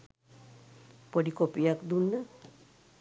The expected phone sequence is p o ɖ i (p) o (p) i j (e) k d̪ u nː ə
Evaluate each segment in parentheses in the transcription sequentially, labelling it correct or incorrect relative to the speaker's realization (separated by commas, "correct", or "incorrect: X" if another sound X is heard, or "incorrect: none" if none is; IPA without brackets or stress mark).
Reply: incorrect: k, correct, incorrect: a